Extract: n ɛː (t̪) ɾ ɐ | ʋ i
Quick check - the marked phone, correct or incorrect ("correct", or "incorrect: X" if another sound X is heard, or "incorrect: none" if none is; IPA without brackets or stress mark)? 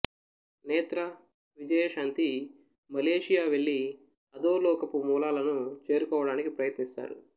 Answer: correct